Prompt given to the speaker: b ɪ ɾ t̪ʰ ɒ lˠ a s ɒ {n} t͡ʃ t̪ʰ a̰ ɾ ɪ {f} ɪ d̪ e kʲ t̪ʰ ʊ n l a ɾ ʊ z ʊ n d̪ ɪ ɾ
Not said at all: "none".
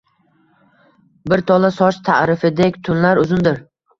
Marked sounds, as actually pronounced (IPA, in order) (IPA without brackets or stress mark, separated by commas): none, f